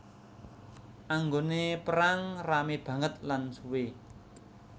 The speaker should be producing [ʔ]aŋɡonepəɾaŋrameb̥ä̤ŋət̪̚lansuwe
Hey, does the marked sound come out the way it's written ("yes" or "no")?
yes